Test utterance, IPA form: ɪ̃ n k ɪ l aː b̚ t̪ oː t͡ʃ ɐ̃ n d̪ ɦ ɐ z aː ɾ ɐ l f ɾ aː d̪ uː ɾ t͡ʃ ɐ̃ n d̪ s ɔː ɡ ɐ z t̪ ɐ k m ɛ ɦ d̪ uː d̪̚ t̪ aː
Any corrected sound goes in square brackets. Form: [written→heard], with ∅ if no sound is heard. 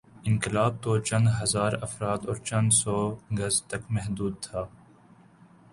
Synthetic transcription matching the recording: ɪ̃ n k ɪ l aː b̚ t̪ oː t͡ʃ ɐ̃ n d̪ ɦ ɐ z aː ɾ ɐ [l→∅] f ɾ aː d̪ [uː→ɔː] ɾ t͡ʃ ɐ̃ n d̪ s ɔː ɡ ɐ z t̪ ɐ k m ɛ ɦ d̪ uː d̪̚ [t̪→t̪ʰ] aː

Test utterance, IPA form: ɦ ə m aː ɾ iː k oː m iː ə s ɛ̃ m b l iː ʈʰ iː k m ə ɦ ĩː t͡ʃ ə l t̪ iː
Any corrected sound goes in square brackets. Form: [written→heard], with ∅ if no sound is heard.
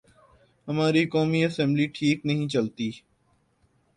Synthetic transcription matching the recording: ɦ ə m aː ɾ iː k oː m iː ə s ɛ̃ m b l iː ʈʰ iː k [m→n] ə ɦ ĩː t͡ʃ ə l t̪ iː

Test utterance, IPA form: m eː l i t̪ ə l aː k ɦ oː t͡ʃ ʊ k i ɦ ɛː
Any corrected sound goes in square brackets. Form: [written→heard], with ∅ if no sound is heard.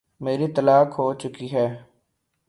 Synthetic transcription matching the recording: m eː [l→ɾ] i t̪ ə l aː k ɦ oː t͡ʃ ʊ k i ɦ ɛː

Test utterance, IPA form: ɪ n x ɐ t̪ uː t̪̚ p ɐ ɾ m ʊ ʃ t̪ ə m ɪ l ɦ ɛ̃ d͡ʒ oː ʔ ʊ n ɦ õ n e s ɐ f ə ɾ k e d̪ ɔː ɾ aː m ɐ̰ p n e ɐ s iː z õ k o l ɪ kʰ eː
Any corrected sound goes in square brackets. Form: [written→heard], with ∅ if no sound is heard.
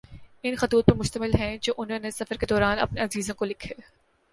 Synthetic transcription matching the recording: ɪ n x ɐ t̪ uː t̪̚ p ɐ ɾ m ʊ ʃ t̪ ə m ɪ l ɦ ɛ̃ d͡ʒ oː ʔ ʊ n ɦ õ n e s ɐ f ə ɾ k e d̪ ɔː ɾ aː [m→n] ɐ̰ p n e ɐ [s→z] iː z õ k o l ɪ kʰ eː

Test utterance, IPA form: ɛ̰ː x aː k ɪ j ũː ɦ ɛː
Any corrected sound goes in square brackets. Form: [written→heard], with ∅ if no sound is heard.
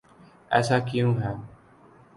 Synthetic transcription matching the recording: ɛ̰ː [x→s] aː k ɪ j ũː ɦ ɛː

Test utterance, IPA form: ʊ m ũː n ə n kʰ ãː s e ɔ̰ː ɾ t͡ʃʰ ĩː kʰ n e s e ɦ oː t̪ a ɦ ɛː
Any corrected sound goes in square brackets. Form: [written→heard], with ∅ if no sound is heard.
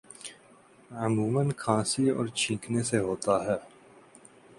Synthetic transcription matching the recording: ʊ m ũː [n→m] ə n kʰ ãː s [e→i] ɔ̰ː ɾ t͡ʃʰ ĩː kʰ n e s e ɦ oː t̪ a ɦ ɛː

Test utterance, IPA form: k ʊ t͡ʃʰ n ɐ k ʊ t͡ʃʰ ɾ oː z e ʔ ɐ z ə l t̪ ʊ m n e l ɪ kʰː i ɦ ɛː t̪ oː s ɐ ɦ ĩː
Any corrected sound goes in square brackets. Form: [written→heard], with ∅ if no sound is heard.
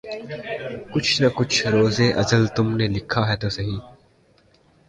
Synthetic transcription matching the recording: k ʊ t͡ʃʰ n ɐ k ʊ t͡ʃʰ ɾ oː z e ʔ ɐ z ə l t̪ ʊ m n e l ɪ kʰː [i→a] ɦ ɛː t̪ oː s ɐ ɦ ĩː

